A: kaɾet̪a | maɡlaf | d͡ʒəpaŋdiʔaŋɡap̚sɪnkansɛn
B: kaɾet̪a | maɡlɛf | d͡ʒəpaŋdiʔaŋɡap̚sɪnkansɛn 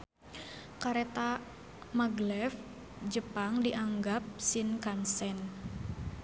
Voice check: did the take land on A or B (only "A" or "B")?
B